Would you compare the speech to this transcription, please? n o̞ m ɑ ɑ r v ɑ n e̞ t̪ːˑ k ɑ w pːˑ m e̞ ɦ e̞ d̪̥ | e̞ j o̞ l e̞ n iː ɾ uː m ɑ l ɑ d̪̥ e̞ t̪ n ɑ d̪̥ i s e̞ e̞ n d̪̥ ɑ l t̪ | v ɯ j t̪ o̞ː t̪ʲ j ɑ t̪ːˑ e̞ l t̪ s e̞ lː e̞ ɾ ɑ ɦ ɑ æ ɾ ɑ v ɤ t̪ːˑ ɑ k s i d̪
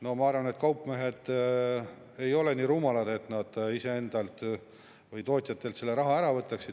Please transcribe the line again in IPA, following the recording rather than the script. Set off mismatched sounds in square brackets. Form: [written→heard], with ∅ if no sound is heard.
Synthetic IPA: n o̞ m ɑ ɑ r v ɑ n e̞ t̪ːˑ k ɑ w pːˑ m e̞ ɦ e̞ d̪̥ | e̞ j o̞ l e̞ n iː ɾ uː m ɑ l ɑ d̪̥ e̞ t̪ n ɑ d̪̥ i s e̞ e̞ n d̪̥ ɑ l t̪ | v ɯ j t̪ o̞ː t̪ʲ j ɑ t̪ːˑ e̞ l t̪ s e̞ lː e̞ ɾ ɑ ɦ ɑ æ ɾ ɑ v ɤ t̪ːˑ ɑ k s i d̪

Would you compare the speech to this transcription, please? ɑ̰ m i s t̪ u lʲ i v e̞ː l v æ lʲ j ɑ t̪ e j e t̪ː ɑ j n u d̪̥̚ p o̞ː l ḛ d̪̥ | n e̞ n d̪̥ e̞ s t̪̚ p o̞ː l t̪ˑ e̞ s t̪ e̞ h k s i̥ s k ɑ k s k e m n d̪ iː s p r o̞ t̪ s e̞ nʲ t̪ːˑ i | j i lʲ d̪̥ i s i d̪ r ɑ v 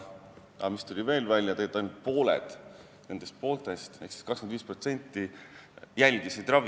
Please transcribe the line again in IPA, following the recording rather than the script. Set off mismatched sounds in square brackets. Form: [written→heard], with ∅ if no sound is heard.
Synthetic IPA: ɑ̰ m i s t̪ u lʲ i v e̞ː l v æ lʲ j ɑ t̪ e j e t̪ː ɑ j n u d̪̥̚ p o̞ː l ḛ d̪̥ | n e̞ n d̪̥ e̞ s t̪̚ p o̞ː l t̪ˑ e̞ s t̪ e̞ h k s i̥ s k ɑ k s k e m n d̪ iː s p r o̞ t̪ s e̞ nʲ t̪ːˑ i | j [i→æ] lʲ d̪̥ i s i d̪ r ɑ v

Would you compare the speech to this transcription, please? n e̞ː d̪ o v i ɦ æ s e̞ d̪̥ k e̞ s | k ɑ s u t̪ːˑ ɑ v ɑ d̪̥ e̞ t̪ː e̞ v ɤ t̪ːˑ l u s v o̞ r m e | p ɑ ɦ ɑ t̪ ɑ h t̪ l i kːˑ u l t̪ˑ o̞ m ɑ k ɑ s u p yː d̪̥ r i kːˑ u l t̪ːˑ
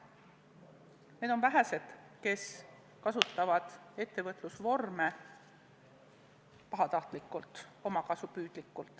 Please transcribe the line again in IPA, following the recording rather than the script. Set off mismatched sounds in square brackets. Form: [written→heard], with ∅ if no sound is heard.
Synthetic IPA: n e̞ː d̪ o v [i→æ] ɦ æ s e̞ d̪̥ k e̞ s | k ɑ s u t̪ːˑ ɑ v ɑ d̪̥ e̞ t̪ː e̞ v ɤ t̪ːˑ l u s v o̞ r m e | p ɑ ɦ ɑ t̪ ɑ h t̪ l i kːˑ u l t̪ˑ o̞ m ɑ k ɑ s u p yː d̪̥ [r→l] i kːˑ u l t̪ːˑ

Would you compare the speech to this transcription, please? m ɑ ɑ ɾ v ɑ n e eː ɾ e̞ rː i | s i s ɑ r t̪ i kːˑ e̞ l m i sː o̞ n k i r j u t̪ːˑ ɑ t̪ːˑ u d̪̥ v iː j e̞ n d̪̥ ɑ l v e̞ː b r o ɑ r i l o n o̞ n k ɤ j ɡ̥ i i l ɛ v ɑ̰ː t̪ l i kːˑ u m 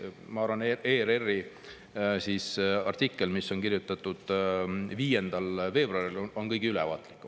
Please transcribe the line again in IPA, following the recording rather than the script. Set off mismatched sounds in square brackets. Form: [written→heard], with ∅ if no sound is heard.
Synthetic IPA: m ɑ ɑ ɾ v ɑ n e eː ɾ e̞ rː i | s i s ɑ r t̪ i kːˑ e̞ l m i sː o̞ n k i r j u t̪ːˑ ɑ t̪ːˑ u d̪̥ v iː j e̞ n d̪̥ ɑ l v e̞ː b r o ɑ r i l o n o̞ n k ɤ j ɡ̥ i [i→y] l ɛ v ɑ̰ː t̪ l i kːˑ u m

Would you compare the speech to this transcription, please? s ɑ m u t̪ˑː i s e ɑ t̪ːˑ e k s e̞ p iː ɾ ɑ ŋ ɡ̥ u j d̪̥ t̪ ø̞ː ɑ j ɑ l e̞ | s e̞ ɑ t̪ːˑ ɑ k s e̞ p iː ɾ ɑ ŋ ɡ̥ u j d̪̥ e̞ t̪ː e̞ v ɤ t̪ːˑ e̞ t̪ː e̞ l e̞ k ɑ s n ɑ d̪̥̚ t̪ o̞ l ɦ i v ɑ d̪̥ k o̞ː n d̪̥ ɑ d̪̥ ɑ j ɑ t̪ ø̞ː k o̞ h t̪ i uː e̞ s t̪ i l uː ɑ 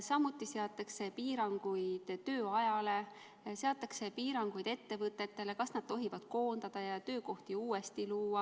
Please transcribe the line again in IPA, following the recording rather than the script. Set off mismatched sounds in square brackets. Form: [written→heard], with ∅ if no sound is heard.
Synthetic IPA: s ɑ m u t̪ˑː i s e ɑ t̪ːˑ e k s e̞ p iː ɾ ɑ ŋ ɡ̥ u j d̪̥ t̪ ø̞ː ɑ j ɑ l e̞ | s e̞ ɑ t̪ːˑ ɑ k s e̞ p iː ɾ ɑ ŋ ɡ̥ u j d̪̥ e̞ t̪ː e̞ v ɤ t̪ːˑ e̞ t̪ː e̞ l e̞ k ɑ s n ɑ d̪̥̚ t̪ o̞ [l→∅] ɦ i v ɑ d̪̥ k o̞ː n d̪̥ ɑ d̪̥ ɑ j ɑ t̪ ø̞ː k o̞ h t̪ i uː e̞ s t̪ i l uː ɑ

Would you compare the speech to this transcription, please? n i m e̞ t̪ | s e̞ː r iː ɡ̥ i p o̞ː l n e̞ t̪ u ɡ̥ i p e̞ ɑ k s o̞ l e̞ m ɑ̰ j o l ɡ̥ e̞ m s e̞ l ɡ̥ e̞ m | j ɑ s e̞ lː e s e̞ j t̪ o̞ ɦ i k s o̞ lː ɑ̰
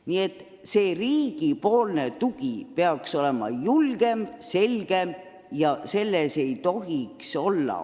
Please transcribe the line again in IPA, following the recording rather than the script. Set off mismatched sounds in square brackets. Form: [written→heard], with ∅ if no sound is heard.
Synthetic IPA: n i [m→∅] e̞ t̪ | s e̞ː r iː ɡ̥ i p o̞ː l n e̞ t̪ u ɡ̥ i p e̞ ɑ k s o̞ l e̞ m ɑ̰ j [o→u] l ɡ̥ e̞ m s e̞ l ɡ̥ e̞ m | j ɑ s e̞ lː e s e̞ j t̪ o̞ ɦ i k s o̞ lː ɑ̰

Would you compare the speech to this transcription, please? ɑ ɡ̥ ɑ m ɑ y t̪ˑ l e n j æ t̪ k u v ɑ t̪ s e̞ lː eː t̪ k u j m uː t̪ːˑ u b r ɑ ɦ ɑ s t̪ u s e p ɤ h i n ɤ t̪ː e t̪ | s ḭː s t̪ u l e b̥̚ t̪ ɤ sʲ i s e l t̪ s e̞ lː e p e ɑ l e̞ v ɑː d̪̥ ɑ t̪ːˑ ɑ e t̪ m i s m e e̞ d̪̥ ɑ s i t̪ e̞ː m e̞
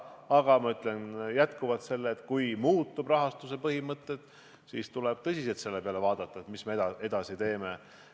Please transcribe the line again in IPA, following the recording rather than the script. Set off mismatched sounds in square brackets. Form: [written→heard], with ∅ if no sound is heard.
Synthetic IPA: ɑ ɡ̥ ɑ m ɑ y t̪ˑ l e n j æ t̪ k u v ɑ t̪ s e̞ lː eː t̪ k u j m uː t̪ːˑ u b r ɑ ɦ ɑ s t̪ u s e p ɤ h i [n→m] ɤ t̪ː e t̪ | s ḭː s t̪ u l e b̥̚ t̪ ɤ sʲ i s e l t̪ s e̞ lː e p e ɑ l e̞ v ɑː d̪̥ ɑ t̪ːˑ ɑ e t̪ m i s m e e̞ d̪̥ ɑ s i t̪ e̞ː m e̞

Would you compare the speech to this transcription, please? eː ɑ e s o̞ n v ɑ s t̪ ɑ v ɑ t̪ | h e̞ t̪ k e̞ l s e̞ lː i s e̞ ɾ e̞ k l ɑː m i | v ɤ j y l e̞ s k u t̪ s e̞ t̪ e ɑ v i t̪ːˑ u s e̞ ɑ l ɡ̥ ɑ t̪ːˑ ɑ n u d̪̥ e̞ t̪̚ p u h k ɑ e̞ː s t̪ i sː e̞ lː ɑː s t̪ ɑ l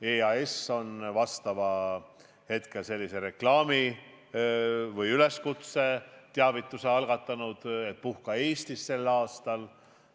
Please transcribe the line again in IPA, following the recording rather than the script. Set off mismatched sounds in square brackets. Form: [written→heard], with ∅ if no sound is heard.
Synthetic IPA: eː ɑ e s o̞ n v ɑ s t̪ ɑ v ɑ [t̪→∅] | h e̞ t̪ k e̞ l s e̞ lː i s e̞ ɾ e̞ k l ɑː m i | v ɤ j y l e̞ s k u t̪ s e̞ t̪ e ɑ v i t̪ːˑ u s e̞ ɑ l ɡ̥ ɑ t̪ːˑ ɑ n u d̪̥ e̞ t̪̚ p u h k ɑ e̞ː s t̪ i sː e̞ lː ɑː s t̪ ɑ l

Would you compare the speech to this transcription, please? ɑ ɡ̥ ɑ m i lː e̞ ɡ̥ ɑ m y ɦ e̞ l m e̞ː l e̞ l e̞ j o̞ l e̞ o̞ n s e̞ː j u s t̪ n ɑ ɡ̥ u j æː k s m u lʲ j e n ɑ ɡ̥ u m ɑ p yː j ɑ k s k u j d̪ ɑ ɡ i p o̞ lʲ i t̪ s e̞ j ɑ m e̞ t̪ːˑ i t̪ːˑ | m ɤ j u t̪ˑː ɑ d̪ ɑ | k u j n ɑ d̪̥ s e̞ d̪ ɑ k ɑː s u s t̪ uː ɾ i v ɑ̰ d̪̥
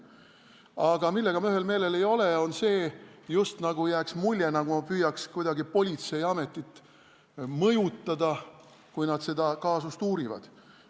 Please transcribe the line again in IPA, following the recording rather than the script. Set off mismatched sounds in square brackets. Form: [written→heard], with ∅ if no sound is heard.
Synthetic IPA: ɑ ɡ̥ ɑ m i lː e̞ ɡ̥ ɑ m y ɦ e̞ l m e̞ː l e̞ l e̞ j o̞ l e̞ o̞ n s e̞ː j u s t̪ n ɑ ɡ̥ u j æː k s m u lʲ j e n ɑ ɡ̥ u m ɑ p yː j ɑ k s k u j d̪ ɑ ɡ i p o̞ lʲ i t̪ s e̞ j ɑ m e̞ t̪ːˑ i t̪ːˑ | m ɤ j u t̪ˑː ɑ d̪ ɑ | k u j n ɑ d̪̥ s e̞ d̪ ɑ k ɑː s u s t̪ uː ɾ i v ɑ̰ d̪̥

